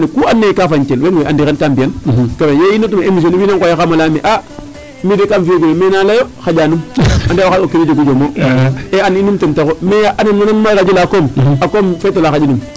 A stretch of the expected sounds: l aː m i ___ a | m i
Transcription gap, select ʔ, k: ʔ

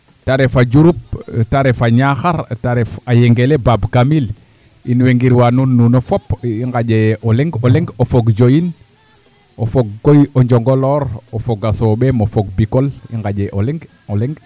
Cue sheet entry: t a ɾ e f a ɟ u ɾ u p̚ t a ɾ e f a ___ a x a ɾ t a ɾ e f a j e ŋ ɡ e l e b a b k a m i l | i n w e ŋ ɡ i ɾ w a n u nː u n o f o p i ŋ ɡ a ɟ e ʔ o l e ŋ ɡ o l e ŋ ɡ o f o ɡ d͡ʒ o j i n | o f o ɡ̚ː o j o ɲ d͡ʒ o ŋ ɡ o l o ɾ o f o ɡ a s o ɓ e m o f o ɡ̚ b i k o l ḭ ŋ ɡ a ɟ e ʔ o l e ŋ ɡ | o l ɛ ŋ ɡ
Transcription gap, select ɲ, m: ɲ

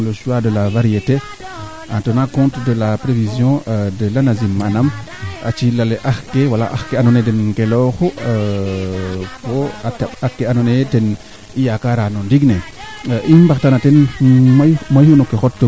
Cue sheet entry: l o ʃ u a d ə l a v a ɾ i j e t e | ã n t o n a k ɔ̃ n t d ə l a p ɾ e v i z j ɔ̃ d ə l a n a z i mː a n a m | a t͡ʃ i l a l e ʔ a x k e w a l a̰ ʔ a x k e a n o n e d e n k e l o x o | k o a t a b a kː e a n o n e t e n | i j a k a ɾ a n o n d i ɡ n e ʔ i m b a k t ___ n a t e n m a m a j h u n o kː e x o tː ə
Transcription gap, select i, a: a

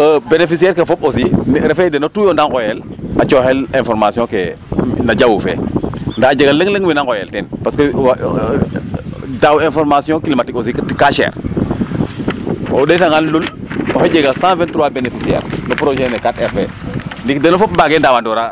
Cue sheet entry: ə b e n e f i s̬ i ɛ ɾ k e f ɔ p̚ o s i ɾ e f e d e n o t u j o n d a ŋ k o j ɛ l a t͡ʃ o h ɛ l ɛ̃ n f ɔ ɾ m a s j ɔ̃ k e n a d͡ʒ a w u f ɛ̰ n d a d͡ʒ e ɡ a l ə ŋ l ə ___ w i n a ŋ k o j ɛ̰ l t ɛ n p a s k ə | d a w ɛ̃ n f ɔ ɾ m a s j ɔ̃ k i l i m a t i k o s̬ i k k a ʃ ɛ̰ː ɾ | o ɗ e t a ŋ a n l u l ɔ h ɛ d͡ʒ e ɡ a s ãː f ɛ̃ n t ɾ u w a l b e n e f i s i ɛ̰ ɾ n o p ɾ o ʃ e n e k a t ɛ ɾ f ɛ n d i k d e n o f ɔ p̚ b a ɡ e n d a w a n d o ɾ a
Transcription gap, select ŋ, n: ŋ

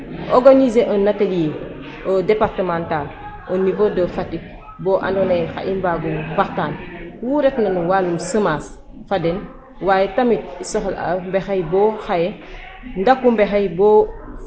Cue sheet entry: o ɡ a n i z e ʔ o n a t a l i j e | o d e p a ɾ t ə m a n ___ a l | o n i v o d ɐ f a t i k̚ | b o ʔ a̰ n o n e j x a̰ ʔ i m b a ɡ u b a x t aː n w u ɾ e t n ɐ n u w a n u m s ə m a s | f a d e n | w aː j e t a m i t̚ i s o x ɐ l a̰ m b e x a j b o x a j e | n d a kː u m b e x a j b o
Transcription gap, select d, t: t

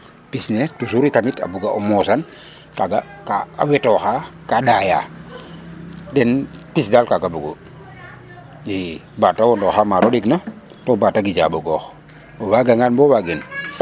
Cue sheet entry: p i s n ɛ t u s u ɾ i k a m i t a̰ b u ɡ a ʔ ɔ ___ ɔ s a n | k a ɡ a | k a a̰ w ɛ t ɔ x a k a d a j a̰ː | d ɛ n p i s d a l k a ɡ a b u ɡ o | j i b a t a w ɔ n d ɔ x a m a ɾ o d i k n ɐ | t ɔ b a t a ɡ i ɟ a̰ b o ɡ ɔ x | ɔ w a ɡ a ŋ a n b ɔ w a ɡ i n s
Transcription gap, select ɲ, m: m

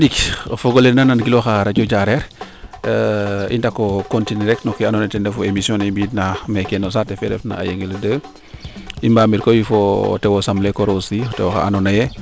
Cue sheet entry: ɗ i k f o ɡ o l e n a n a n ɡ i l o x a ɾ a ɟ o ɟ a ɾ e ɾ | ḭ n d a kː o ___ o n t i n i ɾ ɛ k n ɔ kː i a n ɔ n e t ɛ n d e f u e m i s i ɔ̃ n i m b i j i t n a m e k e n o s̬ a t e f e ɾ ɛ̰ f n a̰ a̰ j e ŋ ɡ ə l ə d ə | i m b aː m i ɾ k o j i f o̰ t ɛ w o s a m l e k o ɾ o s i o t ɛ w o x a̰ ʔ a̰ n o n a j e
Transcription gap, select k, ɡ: k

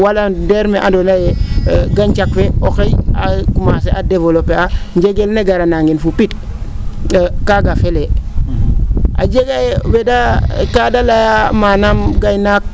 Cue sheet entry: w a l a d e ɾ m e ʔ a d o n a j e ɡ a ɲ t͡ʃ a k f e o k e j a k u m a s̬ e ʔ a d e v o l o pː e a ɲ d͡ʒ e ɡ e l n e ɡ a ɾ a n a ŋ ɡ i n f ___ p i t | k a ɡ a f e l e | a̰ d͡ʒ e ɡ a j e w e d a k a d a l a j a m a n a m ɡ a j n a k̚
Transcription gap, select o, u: u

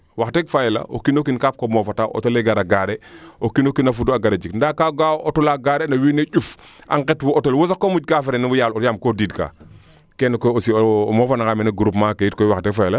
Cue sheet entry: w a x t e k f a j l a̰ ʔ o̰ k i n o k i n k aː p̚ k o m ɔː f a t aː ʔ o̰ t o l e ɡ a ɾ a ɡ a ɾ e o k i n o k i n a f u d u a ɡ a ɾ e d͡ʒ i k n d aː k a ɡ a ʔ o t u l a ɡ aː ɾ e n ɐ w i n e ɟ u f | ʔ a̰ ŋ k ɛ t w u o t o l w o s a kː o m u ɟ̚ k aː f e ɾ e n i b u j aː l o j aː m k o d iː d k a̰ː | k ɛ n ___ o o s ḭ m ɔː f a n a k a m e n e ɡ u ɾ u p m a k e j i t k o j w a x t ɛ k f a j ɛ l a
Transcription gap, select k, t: k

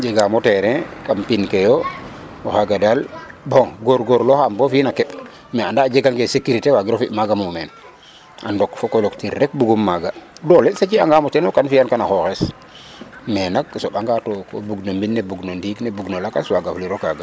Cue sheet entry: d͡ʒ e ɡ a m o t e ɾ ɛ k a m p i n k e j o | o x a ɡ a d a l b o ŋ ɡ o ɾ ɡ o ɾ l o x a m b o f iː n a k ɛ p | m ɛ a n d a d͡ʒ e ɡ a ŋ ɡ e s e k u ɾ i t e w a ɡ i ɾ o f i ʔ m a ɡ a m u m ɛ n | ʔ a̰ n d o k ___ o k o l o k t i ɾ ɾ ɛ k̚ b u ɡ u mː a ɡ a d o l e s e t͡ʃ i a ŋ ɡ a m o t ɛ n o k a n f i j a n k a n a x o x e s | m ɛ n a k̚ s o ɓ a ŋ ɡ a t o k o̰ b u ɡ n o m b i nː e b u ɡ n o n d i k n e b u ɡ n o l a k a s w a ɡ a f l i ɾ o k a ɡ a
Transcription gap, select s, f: f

